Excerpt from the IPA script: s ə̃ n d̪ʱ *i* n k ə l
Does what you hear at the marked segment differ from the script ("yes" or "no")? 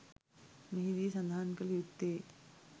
yes